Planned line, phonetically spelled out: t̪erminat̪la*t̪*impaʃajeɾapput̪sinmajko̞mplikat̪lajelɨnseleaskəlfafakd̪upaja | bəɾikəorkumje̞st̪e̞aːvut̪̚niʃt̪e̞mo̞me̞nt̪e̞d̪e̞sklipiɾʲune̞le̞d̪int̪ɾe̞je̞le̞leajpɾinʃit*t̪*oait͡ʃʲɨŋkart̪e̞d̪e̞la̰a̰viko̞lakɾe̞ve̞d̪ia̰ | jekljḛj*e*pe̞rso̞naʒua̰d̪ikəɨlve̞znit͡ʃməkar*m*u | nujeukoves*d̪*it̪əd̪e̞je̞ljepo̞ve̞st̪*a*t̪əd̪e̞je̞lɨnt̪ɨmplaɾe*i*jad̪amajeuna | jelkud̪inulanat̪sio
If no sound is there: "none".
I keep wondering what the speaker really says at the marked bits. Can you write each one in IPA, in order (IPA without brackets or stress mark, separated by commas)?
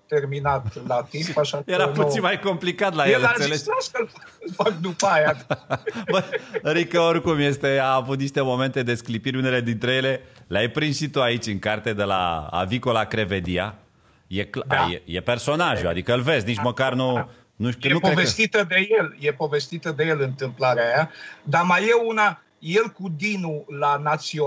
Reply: t̪, t̪, e, n, t̪, i, a